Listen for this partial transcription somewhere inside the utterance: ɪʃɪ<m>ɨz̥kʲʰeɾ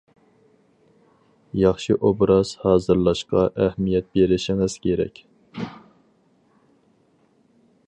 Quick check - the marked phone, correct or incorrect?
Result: incorrect